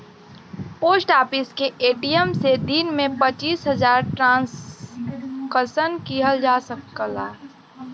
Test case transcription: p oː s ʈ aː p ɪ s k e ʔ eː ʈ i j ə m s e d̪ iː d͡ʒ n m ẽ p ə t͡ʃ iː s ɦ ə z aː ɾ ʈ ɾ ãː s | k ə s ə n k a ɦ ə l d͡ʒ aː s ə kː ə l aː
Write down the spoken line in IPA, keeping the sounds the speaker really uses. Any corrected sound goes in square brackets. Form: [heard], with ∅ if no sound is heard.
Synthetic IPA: p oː s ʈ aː p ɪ s k e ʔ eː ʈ i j ə m s e d̪ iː [∅] n m ẽ p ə t͡ʃ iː s ɦ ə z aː ɾ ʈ ɾ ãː s | k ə s ə n k [i] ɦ ə l d͡ʒ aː s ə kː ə l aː